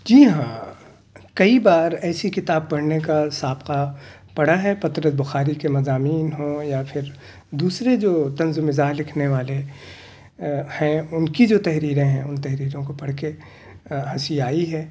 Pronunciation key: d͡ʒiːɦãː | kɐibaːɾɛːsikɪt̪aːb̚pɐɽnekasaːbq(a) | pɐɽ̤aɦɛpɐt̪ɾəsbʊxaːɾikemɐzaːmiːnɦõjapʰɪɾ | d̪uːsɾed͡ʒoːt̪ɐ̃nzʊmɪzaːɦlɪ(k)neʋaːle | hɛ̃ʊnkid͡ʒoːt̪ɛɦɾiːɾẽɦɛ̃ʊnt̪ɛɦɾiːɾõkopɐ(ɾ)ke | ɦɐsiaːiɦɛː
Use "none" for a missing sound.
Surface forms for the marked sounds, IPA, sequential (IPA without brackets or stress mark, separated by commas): a, kʰ, ɽ